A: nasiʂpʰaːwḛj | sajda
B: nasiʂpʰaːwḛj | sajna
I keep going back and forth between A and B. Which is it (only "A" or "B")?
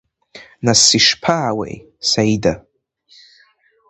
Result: A